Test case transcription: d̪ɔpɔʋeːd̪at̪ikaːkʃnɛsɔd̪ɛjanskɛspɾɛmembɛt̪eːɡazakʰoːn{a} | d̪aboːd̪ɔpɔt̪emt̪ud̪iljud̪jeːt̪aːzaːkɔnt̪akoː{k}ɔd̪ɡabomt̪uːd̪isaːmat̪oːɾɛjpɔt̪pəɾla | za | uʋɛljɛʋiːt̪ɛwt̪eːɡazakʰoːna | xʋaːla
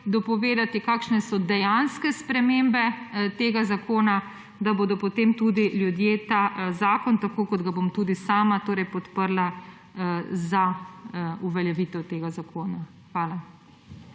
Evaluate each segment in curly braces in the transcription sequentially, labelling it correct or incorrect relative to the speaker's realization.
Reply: correct, correct

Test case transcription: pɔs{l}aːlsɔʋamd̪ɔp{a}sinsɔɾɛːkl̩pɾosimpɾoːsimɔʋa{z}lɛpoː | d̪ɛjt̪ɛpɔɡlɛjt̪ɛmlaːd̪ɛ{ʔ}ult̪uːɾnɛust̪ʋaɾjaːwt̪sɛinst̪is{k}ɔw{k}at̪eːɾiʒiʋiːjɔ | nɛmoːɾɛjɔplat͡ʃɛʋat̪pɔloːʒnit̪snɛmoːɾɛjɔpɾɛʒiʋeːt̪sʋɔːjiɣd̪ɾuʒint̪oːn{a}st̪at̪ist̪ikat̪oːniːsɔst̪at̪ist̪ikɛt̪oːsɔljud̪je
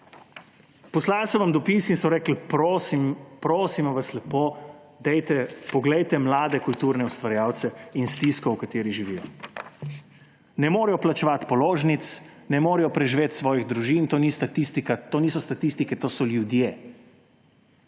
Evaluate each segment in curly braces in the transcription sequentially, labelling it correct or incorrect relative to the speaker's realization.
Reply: correct, incorrect: i, incorrect: s, incorrect: k, correct, correct, incorrect: i

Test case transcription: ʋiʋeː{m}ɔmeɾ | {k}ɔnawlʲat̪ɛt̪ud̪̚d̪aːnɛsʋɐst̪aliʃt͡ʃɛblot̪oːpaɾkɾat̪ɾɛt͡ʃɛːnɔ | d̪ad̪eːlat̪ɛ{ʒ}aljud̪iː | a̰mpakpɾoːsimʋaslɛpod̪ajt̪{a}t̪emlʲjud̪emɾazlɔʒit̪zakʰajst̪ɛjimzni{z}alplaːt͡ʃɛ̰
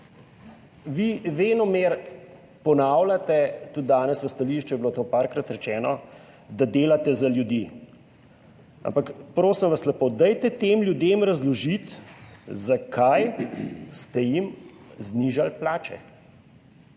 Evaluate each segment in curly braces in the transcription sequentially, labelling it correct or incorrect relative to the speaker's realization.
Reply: incorrect: n, incorrect: p, incorrect: z, incorrect: ɛ, incorrect: ʒ

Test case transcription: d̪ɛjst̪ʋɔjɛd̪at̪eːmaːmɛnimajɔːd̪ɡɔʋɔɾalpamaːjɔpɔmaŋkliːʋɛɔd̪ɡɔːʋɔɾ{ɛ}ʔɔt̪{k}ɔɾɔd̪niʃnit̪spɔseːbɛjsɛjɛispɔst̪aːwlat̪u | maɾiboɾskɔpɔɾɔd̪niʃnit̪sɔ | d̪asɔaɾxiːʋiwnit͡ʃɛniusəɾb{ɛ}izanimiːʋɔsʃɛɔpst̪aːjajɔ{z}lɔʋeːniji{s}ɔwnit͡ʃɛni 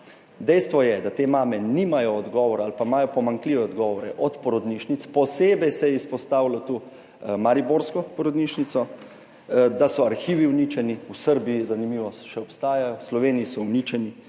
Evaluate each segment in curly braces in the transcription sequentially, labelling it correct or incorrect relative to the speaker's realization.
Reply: correct, incorrect: p, incorrect: i, incorrect: s, correct

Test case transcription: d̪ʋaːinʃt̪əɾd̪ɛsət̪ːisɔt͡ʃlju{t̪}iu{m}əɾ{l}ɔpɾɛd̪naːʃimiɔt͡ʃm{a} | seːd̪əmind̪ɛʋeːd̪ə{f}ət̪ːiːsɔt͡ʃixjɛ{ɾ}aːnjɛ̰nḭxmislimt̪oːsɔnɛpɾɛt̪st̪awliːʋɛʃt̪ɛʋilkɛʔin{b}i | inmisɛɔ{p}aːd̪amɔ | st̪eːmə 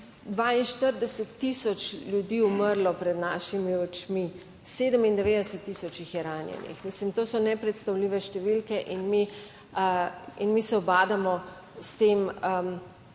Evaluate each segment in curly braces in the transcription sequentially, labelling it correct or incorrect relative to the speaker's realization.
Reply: incorrect: d̪, correct, correct, incorrect: i, incorrect: s, correct, incorrect: m, incorrect: b

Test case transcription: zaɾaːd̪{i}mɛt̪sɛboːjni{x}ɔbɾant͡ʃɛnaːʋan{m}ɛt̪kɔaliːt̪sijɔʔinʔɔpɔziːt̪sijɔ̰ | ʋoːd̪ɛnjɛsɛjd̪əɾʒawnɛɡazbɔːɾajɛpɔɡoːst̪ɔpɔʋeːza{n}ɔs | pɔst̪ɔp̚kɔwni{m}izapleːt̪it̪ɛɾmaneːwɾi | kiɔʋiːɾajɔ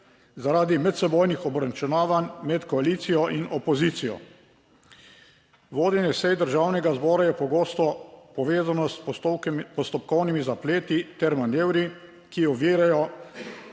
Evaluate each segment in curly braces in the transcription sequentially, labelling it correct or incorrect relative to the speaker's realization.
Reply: correct, correct, correct, correct, correct

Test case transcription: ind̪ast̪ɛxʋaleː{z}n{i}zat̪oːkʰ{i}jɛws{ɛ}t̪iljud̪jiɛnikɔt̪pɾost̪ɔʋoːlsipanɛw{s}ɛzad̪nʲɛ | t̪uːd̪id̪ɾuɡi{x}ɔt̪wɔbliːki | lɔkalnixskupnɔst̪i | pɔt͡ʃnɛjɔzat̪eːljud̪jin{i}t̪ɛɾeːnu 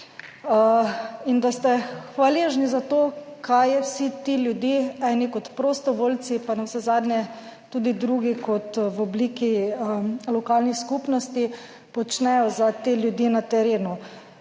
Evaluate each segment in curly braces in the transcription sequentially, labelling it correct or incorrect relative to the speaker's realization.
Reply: incorrect: ʒ, correct, incorrect: a, incorrect: i, correct, incorrect: k, incorrect: a

